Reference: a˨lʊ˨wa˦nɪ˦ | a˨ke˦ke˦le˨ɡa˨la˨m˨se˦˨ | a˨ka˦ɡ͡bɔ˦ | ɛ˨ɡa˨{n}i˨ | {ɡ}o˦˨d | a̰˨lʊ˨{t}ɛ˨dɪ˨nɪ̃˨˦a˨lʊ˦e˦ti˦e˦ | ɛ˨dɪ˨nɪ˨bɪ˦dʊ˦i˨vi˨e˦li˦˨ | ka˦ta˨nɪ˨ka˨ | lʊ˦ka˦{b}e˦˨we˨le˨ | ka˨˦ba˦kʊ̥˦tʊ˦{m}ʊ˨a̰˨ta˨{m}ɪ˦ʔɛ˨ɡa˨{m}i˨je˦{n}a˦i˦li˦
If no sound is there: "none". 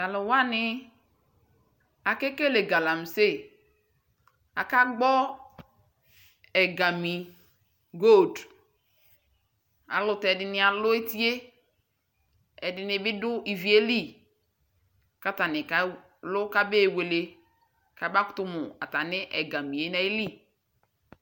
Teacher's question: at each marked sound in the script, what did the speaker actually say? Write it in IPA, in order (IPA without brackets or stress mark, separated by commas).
m, ɡ, t, b, m, n, m, n